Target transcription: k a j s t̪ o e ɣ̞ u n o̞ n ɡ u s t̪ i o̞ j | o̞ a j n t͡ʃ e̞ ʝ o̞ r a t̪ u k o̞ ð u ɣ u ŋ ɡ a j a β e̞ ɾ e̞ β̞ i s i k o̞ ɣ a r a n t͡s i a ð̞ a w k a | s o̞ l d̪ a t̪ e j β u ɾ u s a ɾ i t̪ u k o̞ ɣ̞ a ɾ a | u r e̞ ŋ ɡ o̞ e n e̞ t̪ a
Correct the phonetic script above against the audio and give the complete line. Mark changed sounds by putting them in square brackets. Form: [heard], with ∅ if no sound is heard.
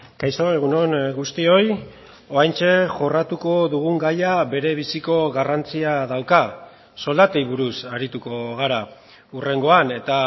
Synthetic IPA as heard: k a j s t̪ o e ɣ̞ u n o̞ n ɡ u s t̪ i o̞ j | o̞ a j n t͡ʃ e̞ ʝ o̞ r a t̪ u k o̞ ð u ɣ u ŋ ɡ a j a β e̞ ɾ e̞ β̞ i s i k o̞ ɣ a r a n t͡s i a ð̞ a w k a | s o̞ l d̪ a t̪ e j β u ɾ u s a ɾ i t̪ u k o̞ ɣ̞ a ɾ a | u r e̞ ŋ ɡ o̞ [a] n e̞ t̪ a